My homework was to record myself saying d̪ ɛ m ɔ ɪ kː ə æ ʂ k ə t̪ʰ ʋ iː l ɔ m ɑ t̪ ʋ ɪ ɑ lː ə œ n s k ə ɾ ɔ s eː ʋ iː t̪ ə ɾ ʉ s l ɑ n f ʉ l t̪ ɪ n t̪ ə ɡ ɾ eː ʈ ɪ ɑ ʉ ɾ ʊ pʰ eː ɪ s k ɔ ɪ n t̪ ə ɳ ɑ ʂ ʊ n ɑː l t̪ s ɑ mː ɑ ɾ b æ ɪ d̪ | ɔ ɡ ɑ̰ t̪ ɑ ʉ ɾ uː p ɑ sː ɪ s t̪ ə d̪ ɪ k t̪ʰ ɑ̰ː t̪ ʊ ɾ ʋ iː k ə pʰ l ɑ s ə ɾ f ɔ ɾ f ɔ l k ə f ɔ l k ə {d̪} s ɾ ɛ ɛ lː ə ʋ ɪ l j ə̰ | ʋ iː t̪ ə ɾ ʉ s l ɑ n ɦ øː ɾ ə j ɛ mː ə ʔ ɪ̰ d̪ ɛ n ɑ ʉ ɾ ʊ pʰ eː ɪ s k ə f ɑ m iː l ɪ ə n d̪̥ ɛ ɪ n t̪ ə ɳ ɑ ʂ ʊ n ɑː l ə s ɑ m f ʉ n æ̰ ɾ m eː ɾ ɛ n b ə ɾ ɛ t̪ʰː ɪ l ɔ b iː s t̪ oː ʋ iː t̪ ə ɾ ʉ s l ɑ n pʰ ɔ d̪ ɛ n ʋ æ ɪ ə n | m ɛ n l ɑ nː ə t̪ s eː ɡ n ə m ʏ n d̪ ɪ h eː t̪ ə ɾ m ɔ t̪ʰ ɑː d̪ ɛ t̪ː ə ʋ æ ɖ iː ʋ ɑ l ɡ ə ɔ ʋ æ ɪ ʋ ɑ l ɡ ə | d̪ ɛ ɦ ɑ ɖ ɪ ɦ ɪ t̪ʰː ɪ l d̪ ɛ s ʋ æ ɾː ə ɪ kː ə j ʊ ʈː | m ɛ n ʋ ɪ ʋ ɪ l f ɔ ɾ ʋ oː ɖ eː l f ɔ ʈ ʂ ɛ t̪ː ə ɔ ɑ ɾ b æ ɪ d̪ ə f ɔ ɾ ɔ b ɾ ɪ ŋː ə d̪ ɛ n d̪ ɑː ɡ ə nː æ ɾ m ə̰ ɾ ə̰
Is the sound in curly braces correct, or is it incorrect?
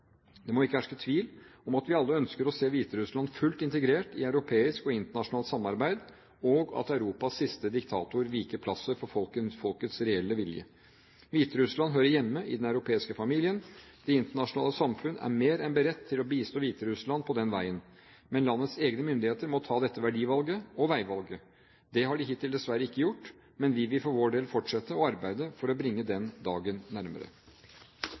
incorrect